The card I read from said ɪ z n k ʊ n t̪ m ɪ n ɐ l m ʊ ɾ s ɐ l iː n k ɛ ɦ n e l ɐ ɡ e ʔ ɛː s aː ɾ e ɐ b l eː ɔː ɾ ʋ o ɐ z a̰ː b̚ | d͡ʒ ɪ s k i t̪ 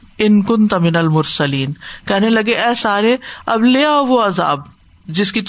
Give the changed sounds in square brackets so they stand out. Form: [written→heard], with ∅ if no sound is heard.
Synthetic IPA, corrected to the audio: ɪ [z→∅] n k ʊ n t̪ m ɪ n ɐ l m ʊ ɾ s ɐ l iː n k ɛ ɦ n e l ɐ ɡ e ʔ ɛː s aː ɾ e ɐ b l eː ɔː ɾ ʋ o ɐ z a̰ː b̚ | d͡ʒ ɪ s k i t̪